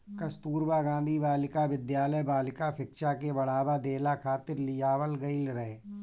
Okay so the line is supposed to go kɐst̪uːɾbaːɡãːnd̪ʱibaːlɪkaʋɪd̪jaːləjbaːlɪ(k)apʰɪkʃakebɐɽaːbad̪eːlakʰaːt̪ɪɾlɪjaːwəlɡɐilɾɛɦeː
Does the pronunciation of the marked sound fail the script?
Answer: no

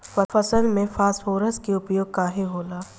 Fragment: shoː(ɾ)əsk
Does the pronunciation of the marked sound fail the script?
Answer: no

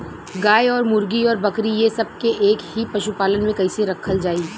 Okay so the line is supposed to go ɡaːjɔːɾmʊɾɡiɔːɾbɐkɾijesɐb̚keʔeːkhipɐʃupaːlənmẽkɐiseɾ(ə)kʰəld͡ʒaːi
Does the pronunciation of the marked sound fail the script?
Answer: yes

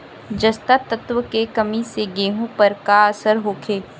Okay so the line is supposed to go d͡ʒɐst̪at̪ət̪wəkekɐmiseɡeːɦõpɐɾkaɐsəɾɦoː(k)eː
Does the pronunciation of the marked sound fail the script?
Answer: yes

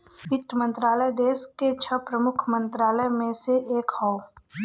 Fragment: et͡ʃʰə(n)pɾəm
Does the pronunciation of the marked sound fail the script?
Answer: yes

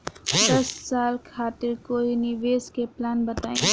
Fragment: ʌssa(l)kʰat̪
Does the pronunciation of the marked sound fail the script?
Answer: no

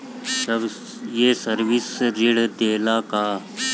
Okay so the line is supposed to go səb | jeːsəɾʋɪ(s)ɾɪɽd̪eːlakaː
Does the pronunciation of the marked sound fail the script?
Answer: no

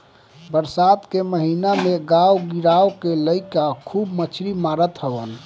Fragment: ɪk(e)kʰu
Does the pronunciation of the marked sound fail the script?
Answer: yes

